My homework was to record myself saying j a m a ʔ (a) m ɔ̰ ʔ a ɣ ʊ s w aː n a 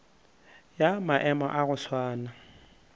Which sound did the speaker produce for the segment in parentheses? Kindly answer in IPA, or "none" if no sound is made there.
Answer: ɛ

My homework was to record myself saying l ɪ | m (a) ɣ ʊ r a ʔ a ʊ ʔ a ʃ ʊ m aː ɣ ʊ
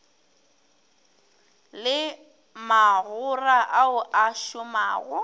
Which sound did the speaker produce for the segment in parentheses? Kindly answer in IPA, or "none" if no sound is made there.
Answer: a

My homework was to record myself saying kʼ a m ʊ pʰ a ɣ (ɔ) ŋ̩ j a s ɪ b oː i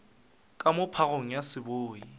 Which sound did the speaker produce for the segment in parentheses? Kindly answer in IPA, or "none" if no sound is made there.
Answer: o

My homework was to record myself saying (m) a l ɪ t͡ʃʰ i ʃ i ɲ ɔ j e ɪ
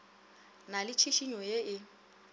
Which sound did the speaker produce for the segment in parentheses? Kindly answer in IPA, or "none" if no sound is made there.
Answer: n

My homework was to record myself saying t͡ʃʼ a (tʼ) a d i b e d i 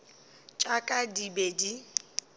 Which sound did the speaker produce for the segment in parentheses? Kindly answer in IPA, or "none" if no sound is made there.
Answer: kʼ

